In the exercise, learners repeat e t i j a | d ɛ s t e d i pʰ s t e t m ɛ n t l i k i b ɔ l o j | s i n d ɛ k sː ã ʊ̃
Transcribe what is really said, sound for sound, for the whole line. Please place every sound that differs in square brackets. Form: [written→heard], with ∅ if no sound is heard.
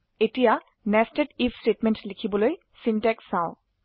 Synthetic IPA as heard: e t i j a | [d→n] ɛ s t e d i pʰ s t e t m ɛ n t l i [k→kʰ] i b ɔ l o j | s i n [d→t] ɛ k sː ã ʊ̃

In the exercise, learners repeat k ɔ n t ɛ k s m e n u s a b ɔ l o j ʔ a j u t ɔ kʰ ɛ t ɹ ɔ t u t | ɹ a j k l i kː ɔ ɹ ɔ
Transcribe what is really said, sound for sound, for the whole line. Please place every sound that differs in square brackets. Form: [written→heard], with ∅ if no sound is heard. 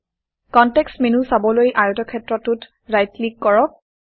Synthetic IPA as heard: k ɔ n t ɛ k s m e n u s a b ɔ l o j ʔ a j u t ɔ kʰ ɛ t ɹ ɔ t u t | ɹ a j [k→t] l i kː ɔ ɹ ɔ

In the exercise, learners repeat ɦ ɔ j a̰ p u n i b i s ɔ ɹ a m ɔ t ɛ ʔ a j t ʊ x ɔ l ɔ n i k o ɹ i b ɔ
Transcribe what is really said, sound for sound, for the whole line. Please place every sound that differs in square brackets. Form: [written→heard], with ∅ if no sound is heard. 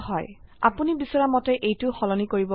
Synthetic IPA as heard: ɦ ɔ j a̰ p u n i b i s ɔ ɹ a m ɔ t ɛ ʔ [a→e] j t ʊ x ɔ l ɔ n i k o ɹ i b ɔ

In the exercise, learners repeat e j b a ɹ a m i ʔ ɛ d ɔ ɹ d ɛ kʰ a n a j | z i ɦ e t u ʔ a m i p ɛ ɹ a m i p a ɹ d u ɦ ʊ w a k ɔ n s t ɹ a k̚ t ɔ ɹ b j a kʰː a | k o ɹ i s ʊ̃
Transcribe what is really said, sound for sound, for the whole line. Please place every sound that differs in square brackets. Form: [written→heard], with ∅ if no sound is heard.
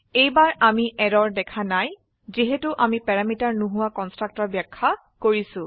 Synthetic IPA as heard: e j b a ɹ a m i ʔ ɛ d ɔ ɹ d ɛ kʰ a n a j | z i ɦ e t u ʔ a m i p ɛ ɹ a m i [p→t] a ɹ [d→n] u ɦ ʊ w a k ɔ n s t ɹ a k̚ t ɔ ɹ b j a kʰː a | k o ɹ i s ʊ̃

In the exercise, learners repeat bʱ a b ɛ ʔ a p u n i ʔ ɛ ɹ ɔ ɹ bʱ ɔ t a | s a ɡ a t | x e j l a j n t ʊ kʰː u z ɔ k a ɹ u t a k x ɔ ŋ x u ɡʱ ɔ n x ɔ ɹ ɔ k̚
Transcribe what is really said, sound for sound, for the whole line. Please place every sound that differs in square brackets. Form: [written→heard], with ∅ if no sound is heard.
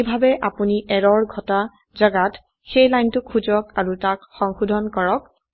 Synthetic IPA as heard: bʱ a b ɛ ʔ a p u n i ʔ ɛ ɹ ɔ ɹ [bʱ→ɡʱ] ɔ t a | [s→z] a ɡ a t | x e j l a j n t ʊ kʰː u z ɔ k a ɹ u t a k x ɔ ŋ x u [ɡʱ→dʱ] ɔ n [x→k] ɔ ɹ ɔ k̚

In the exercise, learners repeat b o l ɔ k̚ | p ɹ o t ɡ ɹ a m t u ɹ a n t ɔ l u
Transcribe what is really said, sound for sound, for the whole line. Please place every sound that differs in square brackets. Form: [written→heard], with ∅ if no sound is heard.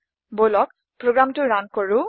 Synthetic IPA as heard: b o l ɔ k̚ | p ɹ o [t→∅] ɡ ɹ a m t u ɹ a n [t→k] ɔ [l→ɹ] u

